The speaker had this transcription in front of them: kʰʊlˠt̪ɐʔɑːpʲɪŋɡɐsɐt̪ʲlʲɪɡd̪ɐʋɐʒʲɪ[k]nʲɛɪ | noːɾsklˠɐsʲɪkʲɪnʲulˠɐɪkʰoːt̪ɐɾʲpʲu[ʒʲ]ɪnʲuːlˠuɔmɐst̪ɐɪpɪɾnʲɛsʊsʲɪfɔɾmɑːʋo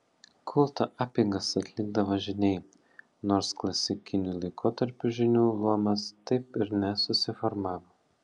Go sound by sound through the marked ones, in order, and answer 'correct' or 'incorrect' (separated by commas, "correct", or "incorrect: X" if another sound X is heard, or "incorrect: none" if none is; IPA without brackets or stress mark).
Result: incorrect: none, correct